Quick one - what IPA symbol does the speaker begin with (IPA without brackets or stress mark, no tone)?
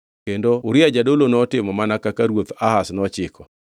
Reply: k